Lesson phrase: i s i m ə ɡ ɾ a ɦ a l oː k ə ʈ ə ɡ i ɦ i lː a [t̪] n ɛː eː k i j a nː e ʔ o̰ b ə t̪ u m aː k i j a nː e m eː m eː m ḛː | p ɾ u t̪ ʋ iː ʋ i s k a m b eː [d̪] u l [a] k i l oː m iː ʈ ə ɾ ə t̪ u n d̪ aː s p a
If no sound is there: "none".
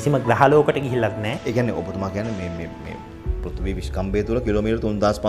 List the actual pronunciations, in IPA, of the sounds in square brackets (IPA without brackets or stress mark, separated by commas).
t̪, t̪, ə